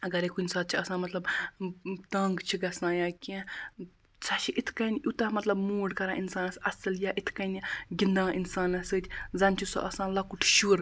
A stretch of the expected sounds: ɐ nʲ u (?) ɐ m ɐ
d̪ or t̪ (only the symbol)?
t̪